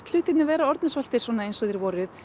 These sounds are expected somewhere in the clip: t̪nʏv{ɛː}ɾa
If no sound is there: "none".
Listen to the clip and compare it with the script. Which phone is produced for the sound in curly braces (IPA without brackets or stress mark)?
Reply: ɛː